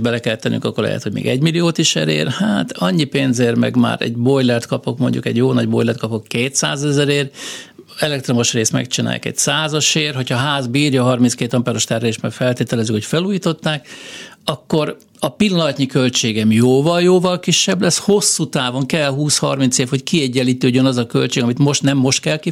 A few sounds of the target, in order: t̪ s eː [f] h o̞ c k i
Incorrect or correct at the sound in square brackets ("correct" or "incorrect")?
correct